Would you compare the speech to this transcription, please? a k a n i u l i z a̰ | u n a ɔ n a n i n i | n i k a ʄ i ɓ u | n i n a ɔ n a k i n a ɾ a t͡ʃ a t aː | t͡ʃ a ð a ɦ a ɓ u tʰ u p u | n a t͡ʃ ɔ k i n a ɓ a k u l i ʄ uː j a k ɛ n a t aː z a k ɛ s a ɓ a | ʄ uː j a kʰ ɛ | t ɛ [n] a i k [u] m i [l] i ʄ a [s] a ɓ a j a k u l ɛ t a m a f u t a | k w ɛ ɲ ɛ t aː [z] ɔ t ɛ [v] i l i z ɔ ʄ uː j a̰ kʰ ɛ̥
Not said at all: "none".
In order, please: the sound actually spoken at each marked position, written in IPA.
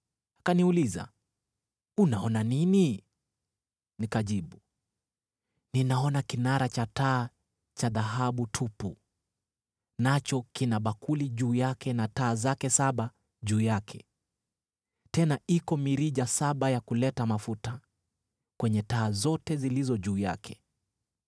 n, ɔ, ɾ, s, z, z

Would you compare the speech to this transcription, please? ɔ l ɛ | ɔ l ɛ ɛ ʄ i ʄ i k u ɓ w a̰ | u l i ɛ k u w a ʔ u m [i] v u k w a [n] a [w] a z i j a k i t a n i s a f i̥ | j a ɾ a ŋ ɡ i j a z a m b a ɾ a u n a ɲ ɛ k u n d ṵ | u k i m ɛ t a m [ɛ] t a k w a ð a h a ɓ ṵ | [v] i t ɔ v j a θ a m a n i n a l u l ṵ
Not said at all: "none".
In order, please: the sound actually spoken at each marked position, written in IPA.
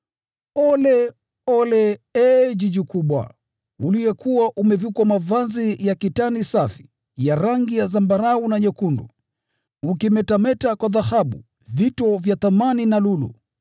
ɛ, m, v, ɛ, v

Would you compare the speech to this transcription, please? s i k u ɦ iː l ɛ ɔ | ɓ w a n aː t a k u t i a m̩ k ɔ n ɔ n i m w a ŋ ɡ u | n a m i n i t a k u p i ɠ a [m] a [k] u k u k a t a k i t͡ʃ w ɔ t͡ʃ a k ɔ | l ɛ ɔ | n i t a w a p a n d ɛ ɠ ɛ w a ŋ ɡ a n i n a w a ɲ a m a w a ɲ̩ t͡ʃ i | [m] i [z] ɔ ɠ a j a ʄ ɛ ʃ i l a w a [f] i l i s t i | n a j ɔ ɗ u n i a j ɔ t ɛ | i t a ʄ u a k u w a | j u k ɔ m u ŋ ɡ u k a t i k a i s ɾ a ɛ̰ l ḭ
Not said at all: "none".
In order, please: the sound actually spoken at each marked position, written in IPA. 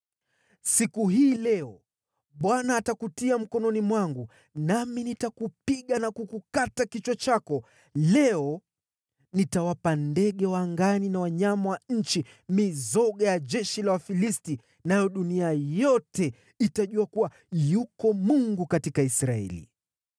n, k, m, z, f

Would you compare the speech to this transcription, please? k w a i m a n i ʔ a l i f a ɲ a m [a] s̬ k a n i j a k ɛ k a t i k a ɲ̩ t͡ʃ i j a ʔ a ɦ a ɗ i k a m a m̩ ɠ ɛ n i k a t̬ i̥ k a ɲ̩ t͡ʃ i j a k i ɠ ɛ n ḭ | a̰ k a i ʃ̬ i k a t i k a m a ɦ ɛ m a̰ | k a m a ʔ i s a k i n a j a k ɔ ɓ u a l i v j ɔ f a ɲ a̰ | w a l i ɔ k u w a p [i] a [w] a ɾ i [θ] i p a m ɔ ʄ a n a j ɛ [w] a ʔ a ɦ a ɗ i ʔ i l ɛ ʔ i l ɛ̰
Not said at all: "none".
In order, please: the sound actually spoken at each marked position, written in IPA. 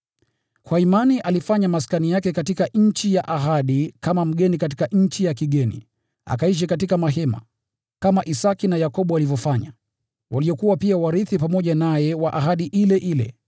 a, i, w, θ, w

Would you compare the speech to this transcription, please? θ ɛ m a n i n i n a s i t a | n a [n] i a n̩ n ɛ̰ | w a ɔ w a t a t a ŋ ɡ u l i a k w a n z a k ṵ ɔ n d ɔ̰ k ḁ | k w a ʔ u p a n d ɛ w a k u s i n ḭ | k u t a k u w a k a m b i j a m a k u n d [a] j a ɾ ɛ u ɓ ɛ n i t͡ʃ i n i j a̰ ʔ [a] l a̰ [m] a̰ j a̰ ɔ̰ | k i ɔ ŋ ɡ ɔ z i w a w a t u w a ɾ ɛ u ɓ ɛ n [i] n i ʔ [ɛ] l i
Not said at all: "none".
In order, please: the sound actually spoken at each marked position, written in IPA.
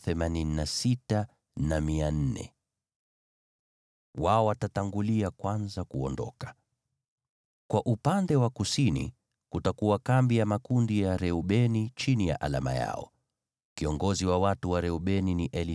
m, i, a, m, i, ɛ

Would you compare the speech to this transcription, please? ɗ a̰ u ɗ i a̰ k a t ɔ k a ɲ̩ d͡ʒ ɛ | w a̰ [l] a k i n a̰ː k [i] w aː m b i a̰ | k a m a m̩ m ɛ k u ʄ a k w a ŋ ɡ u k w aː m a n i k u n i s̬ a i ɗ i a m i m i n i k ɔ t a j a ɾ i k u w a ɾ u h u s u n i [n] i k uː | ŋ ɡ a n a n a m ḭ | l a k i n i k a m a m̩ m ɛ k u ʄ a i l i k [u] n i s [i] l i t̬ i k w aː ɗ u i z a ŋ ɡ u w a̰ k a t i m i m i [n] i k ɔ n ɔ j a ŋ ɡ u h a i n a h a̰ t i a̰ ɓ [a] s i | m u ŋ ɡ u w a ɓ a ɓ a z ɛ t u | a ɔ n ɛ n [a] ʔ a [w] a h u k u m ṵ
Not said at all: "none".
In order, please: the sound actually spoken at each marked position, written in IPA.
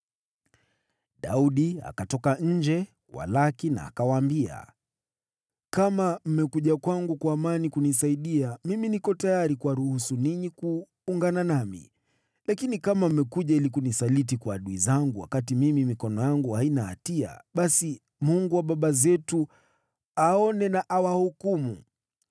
l, a, ɲ, u, a, m, a, a, w

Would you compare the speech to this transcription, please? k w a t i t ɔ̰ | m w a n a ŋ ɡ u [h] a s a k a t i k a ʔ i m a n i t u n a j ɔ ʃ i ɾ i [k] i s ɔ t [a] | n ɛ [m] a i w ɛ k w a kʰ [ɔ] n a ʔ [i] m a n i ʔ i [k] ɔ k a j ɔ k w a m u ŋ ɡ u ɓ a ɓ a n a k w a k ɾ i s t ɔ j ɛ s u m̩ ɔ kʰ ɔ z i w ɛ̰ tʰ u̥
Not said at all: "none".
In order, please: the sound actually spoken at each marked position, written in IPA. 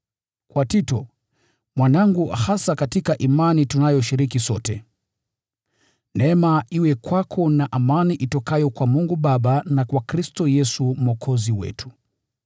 h, k, ɛ, m, ɔ, a, t

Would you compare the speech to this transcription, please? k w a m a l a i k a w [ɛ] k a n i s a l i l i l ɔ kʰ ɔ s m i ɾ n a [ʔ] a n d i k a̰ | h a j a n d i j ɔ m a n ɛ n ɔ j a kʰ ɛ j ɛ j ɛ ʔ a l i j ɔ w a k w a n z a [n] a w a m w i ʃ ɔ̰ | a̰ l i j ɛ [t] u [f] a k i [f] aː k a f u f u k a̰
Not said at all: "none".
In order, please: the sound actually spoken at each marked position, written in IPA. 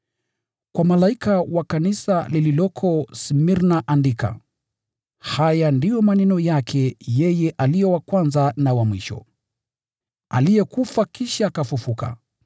a, ʔ, n, k, f, ʃ

